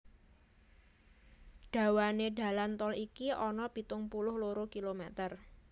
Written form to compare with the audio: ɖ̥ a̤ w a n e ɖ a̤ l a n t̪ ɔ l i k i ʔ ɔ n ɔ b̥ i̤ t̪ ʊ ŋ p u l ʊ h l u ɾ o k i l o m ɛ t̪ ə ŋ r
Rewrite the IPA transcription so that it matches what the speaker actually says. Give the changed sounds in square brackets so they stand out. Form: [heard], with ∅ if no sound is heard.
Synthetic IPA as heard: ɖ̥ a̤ w a n e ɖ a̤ l a n t̪ ɔ l i k i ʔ ɔ n ɔ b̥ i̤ t̪ ʊ ŋ p u l ʊ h l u ɾ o k i l o m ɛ t̪ ə [∅] r